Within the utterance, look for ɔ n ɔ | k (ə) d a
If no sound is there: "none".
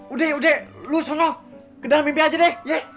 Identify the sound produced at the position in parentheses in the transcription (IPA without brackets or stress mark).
ə